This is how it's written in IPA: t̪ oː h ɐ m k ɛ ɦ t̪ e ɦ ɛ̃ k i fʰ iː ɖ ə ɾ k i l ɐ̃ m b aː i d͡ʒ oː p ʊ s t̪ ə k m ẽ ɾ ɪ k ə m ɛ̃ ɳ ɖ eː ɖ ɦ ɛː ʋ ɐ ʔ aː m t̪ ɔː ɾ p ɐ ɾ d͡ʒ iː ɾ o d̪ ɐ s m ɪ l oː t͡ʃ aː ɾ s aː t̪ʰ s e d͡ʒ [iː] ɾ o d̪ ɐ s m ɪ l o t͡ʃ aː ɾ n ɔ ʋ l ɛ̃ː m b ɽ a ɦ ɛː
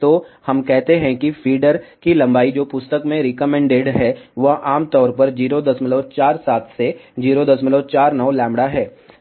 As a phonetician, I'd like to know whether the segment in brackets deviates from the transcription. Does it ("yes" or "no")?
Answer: no